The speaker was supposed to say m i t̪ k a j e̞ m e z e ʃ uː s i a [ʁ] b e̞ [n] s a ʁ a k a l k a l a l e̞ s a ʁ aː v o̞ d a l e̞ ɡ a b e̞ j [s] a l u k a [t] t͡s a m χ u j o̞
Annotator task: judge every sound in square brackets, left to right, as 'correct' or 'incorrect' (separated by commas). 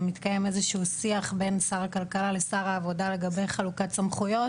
incorrect, correct, incorrect, correct